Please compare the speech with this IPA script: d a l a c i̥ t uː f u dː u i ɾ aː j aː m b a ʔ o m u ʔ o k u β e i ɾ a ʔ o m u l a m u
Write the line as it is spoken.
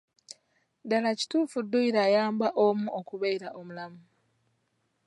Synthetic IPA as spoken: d a l a c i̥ t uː f u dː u i ɾ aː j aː m b a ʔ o m u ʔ o k u β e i ɾ a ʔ o m u l a m u